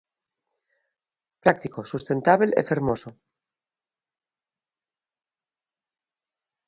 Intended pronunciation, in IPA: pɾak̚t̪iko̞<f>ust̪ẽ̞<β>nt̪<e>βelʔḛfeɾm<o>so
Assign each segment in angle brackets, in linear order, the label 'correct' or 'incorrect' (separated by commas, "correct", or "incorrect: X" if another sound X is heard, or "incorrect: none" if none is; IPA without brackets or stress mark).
incorrect: s, incorrect: none, incorrect: a, correct